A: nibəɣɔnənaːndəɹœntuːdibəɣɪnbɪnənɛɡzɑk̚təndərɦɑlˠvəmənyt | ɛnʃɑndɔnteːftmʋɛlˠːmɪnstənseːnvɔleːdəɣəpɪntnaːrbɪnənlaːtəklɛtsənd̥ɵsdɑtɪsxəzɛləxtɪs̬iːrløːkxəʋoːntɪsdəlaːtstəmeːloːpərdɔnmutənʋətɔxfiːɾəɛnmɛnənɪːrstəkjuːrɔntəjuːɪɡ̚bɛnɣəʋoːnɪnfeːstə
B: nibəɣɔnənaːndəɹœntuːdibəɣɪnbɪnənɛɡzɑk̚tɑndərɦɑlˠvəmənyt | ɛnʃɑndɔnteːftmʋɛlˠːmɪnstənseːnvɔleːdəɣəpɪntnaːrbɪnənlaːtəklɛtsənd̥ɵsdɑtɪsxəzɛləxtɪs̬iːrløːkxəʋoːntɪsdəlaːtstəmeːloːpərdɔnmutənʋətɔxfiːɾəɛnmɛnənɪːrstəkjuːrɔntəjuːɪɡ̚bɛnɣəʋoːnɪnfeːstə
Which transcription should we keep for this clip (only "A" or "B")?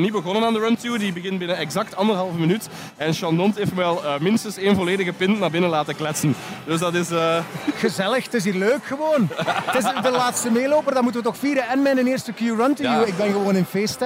B